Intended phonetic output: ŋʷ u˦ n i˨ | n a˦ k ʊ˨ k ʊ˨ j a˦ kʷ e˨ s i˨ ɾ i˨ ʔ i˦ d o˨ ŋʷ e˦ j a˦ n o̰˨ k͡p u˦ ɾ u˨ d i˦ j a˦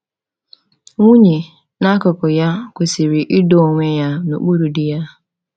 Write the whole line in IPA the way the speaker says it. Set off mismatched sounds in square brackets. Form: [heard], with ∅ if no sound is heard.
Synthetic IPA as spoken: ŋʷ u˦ [ɲ] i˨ | n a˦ k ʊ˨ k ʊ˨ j a˦ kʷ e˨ s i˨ ɾ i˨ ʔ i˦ d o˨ ŋʷ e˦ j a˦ n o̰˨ k͡p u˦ ɾ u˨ d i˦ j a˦